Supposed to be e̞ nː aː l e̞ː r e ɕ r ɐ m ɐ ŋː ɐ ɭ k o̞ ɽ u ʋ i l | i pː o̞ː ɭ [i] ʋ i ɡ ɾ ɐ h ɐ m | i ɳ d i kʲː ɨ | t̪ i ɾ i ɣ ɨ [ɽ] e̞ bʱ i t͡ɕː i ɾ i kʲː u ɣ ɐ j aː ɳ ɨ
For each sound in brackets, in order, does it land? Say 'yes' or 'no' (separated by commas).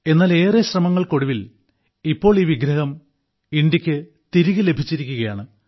no, no